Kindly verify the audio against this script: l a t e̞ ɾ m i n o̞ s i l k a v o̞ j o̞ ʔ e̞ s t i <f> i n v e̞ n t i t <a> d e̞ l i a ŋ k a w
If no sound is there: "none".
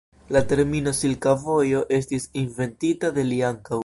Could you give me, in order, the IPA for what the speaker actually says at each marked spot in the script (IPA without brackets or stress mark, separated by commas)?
s, a